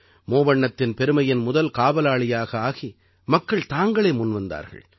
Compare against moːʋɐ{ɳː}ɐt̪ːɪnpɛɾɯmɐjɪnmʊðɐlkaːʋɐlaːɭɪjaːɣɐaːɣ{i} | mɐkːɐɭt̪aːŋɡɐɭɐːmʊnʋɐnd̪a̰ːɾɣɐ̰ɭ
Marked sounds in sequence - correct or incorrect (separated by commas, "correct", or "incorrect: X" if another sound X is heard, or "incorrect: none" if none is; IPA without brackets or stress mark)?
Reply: correct, correct